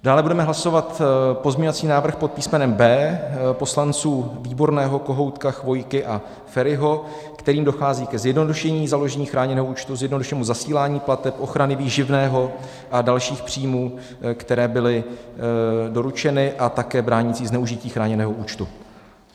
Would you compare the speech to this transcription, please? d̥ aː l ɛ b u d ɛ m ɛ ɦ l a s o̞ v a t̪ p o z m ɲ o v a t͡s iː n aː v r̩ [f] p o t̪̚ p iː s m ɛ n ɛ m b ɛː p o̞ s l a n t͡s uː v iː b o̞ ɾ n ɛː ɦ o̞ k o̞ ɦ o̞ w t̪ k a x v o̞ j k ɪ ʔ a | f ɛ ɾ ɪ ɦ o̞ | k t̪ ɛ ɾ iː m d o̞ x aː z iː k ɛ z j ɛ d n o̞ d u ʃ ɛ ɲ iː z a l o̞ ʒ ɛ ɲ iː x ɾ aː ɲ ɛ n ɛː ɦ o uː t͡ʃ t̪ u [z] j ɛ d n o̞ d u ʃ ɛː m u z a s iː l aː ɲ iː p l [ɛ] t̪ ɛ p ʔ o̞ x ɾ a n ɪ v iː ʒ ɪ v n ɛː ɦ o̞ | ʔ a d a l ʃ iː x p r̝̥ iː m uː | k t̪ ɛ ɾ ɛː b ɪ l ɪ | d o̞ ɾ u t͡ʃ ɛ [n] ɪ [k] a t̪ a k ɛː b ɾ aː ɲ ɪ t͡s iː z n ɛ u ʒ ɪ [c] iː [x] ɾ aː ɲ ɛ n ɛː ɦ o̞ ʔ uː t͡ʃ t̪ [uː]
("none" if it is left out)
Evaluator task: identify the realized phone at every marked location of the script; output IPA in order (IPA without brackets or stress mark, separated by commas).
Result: x, z, a, n, ʔ, c, x, u